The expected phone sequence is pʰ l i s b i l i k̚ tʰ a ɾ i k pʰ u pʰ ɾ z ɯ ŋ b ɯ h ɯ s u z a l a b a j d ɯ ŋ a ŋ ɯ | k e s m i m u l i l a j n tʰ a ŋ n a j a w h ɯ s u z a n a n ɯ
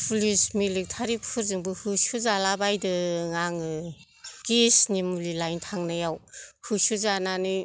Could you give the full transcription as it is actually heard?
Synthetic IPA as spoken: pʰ l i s m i l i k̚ tʰ a ɾ i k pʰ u ɾ z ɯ ŋ b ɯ h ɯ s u z a l a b a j d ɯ ŋ a ŋ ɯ | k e s n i m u l i l a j n tʰ a ŋ n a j a w h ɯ s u z a n a n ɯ